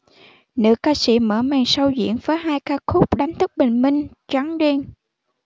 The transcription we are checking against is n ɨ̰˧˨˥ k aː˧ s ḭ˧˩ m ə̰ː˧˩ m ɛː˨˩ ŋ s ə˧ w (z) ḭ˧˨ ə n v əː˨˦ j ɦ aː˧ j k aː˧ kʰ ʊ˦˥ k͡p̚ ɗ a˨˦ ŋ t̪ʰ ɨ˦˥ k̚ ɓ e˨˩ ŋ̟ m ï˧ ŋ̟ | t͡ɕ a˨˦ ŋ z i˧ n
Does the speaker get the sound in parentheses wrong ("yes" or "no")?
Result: no